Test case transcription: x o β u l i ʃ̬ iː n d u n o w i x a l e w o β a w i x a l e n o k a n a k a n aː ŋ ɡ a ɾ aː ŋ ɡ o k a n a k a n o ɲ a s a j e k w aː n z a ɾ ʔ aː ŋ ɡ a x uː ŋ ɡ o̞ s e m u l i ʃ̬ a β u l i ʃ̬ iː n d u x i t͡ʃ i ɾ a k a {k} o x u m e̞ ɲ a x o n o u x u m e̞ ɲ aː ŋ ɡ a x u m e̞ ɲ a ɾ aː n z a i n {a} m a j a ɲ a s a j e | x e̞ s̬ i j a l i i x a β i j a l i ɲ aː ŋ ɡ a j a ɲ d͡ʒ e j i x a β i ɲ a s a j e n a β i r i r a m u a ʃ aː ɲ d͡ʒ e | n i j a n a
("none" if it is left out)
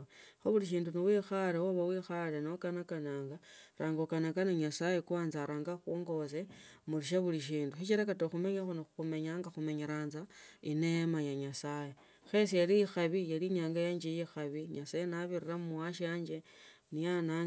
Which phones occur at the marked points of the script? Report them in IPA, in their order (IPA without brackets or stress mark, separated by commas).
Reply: t, e